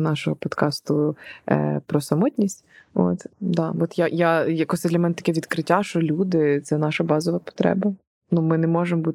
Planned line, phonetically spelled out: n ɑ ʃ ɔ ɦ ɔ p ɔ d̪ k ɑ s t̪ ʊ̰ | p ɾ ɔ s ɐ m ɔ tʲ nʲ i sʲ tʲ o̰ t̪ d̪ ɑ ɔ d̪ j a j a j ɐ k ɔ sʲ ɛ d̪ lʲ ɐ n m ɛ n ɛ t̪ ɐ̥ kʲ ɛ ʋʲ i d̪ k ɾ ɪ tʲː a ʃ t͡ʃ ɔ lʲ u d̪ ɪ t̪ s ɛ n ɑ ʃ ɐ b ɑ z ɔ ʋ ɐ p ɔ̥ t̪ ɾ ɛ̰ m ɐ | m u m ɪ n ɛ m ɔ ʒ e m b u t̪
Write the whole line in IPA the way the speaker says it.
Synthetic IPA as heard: n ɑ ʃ ɔ ɦ ɔ p ɔ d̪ k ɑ s t̪ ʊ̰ | p ɾ ɔ s ɐ m ɔ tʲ nʲ i sʲ tʲ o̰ t̪ d̪ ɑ ɔ t̪ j a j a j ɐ k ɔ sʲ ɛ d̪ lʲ ɐ m ɛ n ɛ t̪ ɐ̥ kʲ ɛ ʋʲ i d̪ k ɾ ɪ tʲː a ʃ t͡ʃ ɔ lʲ u d̪ ɪ t̪ s ɛ n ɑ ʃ ɐ b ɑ z ɔ ʋ ɐ p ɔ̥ t̪ ɾ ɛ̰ b ɐ | n u m ɪ n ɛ m ɔ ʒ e m b u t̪